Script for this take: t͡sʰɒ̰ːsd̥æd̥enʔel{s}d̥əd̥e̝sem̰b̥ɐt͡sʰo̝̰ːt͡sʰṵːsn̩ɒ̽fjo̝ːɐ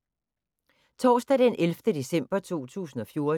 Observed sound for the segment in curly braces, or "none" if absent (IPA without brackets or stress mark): f